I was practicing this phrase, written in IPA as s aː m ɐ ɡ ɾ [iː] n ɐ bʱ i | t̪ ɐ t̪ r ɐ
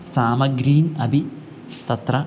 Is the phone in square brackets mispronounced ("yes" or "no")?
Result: no